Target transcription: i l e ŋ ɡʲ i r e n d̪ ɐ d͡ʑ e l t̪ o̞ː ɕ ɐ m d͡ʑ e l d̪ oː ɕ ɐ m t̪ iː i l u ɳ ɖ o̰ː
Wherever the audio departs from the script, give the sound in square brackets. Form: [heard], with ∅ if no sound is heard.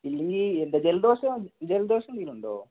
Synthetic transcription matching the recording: i [lː] e ŋ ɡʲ i [l] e n d̪ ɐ d͡ʑ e l [d̪] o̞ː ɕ ɐ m d͡ʑ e l d̪ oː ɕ ɐ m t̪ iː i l u ɳ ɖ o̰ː